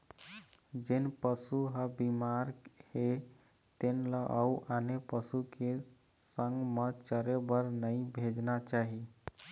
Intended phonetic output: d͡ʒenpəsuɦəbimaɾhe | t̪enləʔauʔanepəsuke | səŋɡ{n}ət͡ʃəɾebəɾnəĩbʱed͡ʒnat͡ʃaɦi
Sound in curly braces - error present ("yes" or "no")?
yes